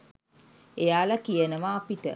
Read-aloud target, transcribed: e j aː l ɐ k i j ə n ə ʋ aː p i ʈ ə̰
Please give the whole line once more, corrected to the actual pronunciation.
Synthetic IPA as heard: e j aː l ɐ k i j ə n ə ʋ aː p i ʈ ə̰